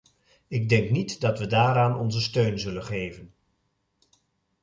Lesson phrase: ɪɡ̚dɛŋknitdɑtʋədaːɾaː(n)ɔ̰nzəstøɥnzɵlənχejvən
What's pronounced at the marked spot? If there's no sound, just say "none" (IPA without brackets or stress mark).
n